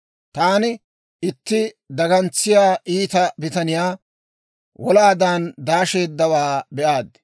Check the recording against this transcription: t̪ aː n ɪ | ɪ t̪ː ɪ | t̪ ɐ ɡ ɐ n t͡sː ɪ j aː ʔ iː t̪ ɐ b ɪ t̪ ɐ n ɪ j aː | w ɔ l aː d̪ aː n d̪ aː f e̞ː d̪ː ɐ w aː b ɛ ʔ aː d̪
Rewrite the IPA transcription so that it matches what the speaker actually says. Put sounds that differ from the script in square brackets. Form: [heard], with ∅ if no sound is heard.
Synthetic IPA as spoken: t̪ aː n ɪ | ɪ t̪ː ɪ | [d̪] ɐ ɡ ɐ n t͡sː ɪ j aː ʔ iː t̪ ɐ b ɪ t̪ ɐ n ɪ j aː | w ɔ l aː d̪ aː n d̪ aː [ʃ] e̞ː d̪ː ɐ w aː b ɛ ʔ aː d̪